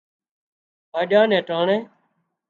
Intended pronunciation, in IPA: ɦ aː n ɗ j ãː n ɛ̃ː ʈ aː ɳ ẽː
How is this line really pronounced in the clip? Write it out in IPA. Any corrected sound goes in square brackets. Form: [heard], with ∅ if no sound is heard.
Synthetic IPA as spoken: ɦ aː [∅] ɗ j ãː n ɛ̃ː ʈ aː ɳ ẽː